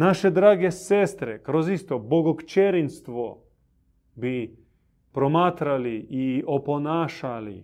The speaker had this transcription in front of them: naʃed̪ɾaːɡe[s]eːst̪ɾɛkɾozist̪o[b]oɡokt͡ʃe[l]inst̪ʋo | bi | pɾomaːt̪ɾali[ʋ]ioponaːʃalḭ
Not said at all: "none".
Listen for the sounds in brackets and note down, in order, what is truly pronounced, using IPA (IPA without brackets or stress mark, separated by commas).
s, b, ɾ, none